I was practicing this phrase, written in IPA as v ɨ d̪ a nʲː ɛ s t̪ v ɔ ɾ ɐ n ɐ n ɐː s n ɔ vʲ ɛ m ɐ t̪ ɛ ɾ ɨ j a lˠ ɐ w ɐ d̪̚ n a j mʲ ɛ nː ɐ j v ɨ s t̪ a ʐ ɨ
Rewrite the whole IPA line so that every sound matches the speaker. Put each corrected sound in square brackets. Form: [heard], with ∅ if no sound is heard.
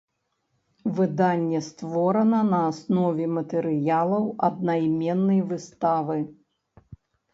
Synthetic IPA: v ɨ d̪ a nʲː ɛ s t̪ v ɔ ɾ ɐ n ɐ n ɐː s n ɔ vʲ ɛ m ɐ t̪ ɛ ɾ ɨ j a lˠ ɐ w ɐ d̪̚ n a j mʲ ɛ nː ɐ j v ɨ s t̪ a [v] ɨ